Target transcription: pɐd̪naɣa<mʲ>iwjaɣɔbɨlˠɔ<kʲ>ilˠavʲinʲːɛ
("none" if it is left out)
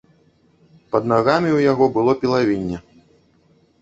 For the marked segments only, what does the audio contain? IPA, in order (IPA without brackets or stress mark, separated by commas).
mʲ, pʲ